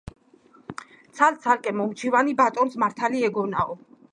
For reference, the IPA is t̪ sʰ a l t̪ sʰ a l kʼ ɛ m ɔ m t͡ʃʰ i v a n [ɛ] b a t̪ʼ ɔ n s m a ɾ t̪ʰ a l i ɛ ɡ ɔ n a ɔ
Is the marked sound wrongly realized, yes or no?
yes